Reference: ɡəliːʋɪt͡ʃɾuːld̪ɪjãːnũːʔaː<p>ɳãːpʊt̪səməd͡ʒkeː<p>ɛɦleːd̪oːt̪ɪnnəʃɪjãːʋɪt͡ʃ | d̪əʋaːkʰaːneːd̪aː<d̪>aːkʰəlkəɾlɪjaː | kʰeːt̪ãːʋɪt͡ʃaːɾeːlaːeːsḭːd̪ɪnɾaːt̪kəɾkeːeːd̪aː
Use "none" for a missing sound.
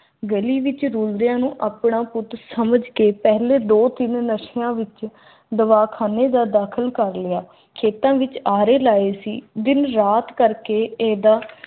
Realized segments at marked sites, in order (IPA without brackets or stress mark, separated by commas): p, p, d̪